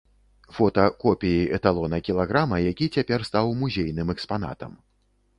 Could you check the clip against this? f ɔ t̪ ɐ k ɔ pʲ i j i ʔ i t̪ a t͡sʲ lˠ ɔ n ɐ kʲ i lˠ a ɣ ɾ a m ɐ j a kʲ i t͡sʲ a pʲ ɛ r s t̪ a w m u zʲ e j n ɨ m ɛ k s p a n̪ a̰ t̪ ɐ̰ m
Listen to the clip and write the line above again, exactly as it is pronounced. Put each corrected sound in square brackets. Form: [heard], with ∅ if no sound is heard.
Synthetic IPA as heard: f ɔ t̪ ɐ k ɔ pʲ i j i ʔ [ɛ] t̪ a [∅] lˠ ɔ n ɐ kʲ i lˠ a ɣ ɾ a m ɐ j a kʲ i t͡sʲ a pʲ ɛ r s t̪ a w m u zʲ e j n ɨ m ɛ k s p a n̪ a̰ t̪ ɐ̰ m

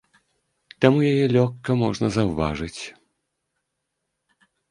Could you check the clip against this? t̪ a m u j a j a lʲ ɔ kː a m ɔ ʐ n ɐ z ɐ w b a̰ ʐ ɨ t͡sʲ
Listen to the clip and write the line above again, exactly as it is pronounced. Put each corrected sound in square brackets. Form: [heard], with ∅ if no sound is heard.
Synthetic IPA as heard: t̪ a m u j a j [ɛ] lʲ ɔ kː [ɐ] m ɔ ʐ n ɐ z ɐ w [v] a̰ ʐ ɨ t͡sʲ

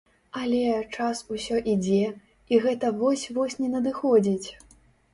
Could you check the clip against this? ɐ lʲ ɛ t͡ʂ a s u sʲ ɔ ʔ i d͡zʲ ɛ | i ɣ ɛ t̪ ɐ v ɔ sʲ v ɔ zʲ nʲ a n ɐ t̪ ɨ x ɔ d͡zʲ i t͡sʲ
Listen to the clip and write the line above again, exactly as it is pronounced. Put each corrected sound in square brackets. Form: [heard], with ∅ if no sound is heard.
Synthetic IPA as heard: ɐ lʲ ɛ t͡ʂ a s u sʲ ɔ ʔ i d͡zʲ ɛ | i ɣ ɛ t̪ ɐ v ɔ sʲ v ɔ [sʲ] nʲ [ɛ] n ɐ [d̪] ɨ x ɔ d͡zʲ i t͡sʲ

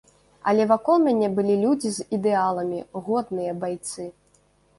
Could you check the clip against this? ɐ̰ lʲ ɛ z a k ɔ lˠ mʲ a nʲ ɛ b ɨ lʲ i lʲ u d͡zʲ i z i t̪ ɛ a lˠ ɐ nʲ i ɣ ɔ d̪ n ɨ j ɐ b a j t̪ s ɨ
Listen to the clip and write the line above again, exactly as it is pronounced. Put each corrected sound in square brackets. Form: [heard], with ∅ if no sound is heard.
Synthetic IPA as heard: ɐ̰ lʲ ɛ [v] a k ɔ lˠ mʲ a nʲ ɛ b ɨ lʲ i lʲ u d͡zʲ i z i [d̪] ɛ a lˠ ɐ [mʲ] i ɣ ɔ d̪ n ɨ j ɐ b a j t̪ s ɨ

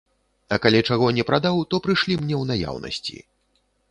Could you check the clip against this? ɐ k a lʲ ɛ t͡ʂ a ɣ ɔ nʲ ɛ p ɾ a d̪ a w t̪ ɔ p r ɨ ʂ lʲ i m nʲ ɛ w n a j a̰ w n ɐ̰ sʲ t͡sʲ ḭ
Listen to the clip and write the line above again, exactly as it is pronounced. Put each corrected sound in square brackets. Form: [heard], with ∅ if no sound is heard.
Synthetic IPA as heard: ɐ k a lʲ ɛ t͡ʂ a ɣ ɔ nʲ ɛ p ɾ a d̪ a w t̪ ɔ p [ɾ] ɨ ʂ lʲ i m nʲ ɛ w n a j a̰ w n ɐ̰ sʲ t͡sʲ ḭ

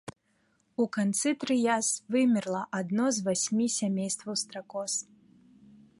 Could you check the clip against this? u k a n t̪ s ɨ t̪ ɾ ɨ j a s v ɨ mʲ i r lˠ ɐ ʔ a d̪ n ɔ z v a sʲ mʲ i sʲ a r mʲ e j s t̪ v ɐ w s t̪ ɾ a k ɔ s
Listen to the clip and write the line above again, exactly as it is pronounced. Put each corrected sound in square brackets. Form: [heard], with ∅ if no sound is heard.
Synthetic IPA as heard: u k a n t̪ s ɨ t̪ ɾ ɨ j a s v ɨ mʲ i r lˠ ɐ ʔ a d̪ n ɔ z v a sʲ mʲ i sʲ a [∅] mʲ e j s t̪ v ɐ w s t̪ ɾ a k ɔ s

